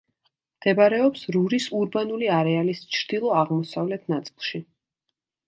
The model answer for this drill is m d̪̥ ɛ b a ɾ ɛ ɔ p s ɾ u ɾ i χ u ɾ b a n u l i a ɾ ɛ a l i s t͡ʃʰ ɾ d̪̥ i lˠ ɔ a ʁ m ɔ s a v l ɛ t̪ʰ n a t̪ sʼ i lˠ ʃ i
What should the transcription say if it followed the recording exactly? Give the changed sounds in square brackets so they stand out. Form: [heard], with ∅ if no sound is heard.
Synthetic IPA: m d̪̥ ɛ b a ɾ ɛ ɔ p s ɾ u ɾ i [s] u ɾ b a n u l i a ɾ ɛ a l i s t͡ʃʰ ɾ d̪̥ i lˠ ɔ a ʁ m ɔ s a v l ɛ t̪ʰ n a t̪ sʼ i lˠ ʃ i